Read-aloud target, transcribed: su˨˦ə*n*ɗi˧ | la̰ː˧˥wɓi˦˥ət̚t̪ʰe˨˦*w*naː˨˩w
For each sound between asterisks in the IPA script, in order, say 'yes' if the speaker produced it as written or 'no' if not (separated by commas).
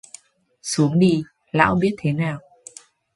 no, no